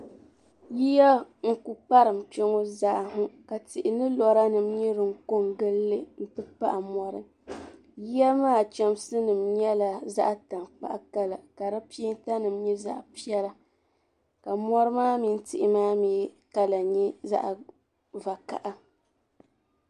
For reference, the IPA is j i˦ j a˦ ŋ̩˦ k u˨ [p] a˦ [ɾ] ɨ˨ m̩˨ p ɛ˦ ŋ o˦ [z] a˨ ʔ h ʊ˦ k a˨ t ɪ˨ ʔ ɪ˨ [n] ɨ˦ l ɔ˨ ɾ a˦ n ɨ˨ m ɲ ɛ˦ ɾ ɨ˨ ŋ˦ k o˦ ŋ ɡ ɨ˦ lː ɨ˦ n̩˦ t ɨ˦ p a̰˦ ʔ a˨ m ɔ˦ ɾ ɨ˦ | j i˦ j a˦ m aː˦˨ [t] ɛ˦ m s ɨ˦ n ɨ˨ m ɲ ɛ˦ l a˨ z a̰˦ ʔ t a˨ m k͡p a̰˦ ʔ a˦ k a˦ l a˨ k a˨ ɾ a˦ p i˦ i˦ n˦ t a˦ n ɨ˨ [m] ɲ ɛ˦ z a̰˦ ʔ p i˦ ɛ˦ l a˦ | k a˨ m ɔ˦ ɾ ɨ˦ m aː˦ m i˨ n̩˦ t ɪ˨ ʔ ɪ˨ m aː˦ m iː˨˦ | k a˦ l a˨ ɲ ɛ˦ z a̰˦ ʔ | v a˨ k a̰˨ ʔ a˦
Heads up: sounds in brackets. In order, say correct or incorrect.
correct, correct, correct, correct, incorrect: t͡ʃ, correct

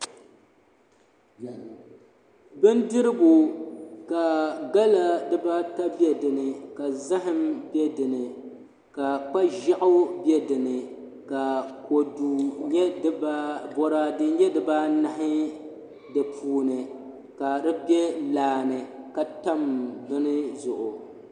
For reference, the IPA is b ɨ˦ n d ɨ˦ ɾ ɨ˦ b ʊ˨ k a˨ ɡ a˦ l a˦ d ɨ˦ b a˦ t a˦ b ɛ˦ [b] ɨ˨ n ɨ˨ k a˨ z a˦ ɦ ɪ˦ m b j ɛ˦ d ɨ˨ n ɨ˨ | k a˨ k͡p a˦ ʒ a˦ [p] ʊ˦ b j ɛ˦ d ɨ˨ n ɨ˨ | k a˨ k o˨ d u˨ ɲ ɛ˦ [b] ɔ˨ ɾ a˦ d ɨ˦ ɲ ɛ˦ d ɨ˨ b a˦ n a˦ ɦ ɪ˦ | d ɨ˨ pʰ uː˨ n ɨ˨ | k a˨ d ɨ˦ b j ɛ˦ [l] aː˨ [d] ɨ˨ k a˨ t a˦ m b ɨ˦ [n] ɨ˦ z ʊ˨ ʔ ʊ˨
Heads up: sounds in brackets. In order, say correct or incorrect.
incorrect: d, incorrect: ʔ, correct, correct, incorrect: n, correct

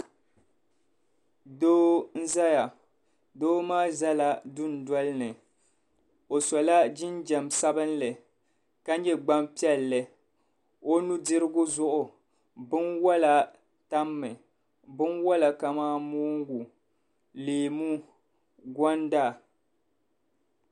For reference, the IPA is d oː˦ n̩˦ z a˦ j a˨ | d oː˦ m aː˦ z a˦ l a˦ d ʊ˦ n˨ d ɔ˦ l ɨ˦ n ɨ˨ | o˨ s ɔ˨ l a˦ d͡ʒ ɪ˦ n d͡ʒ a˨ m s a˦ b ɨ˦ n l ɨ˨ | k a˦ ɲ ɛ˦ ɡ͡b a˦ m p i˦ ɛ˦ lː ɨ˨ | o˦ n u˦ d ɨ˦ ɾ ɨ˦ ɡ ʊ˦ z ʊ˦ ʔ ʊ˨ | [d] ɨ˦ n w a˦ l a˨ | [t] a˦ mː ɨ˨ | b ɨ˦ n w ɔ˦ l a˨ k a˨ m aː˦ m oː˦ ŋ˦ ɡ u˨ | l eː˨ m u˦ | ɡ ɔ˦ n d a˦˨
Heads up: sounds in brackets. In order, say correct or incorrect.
incorrect: b, correct

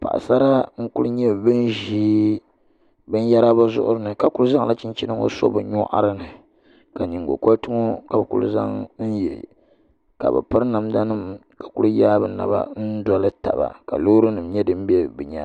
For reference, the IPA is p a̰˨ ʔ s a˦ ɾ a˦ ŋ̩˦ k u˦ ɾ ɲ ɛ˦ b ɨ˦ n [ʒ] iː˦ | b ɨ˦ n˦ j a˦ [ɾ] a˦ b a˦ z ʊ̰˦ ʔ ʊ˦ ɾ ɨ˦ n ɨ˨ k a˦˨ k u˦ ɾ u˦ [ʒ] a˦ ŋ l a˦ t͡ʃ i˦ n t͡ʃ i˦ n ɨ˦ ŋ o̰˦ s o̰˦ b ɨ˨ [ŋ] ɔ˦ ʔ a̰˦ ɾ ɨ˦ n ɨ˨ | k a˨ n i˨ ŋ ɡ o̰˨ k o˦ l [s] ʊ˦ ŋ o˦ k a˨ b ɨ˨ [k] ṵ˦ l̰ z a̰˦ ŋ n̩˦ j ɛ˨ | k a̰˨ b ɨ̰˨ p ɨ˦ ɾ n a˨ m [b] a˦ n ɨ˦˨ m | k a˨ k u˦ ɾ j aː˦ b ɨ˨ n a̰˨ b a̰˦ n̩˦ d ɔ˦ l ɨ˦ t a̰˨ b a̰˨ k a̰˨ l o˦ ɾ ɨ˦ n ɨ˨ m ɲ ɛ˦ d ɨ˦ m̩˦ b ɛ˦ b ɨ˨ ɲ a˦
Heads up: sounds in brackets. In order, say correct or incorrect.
correct, correct, incorrect: z, incorrect: ɲ, incorrect: t, correct, incorrect: d

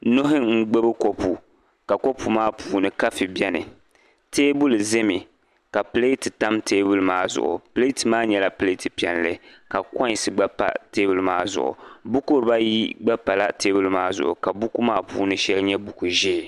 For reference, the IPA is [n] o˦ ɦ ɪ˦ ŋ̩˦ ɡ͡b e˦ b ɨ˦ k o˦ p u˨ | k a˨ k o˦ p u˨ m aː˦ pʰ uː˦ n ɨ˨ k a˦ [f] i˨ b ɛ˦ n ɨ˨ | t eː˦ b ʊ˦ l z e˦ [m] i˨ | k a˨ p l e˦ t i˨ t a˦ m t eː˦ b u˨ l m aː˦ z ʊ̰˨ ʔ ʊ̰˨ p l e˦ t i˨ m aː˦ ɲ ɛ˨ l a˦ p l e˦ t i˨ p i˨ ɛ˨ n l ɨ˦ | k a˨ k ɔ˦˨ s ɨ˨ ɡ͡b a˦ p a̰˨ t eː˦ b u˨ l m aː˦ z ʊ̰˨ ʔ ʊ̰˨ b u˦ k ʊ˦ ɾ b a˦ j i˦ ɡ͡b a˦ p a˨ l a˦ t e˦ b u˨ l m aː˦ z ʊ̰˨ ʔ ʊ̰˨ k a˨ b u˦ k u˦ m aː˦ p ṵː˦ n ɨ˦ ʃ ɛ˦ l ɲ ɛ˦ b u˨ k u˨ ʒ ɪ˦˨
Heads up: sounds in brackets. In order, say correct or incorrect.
correct, correct, correct

